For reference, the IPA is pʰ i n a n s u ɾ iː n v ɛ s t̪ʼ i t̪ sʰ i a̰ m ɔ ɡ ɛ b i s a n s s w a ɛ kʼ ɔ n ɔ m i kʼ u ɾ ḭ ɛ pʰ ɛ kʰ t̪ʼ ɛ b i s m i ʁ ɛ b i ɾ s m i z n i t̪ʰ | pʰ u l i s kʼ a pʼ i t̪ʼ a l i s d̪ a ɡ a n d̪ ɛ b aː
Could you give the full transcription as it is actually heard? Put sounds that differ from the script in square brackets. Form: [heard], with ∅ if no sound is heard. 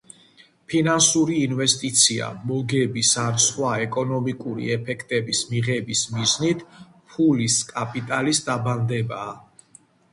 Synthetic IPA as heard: pʰ i n a n s u ɾ iː n v ɛ s t̪ʼ i t̪ sʰ i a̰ m ɔ ɡ ɛ b i s a n s [χ] w a ɛ kʼ ɔ n ɔ m i kʼ u ɾ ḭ ɛ pʰ ɛ kʰ t̪ʼ ɛ b i s m i ʁ ɛ b i [∅] s m i z n i t̪ʰ | pʰ u l i s kʼ a pʼ i t̪ʼ a l i s d̪ a [b] a n d̪ ɛ b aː